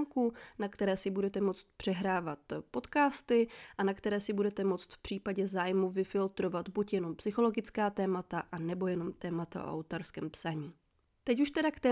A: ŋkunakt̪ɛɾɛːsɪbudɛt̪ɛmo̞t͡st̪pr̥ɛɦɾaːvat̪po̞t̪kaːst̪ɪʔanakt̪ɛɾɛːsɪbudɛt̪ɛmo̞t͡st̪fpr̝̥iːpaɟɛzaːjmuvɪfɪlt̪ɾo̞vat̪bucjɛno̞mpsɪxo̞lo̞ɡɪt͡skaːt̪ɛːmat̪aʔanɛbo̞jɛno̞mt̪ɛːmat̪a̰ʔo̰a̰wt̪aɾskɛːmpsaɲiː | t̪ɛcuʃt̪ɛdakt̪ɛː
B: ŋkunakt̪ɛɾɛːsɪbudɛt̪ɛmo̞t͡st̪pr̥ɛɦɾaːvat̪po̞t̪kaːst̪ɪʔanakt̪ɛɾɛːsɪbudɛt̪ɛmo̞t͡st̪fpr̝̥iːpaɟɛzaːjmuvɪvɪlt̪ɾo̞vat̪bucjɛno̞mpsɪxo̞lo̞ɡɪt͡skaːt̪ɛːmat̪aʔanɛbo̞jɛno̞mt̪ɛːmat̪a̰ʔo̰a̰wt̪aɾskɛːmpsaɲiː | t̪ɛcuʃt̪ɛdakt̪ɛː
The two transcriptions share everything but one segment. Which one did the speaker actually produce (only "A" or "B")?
A